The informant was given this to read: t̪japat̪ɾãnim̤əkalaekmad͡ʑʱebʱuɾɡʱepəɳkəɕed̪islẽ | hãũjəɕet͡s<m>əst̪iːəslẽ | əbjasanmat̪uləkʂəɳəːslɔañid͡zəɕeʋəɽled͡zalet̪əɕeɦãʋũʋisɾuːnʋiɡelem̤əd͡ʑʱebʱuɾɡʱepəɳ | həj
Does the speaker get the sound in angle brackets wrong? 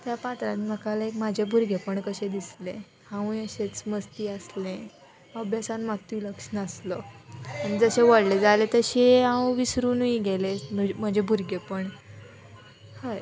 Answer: no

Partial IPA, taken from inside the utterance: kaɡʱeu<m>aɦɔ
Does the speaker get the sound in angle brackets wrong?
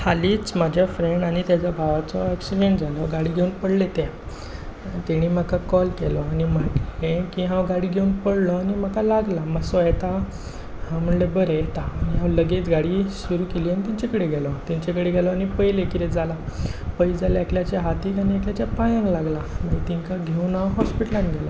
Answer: yes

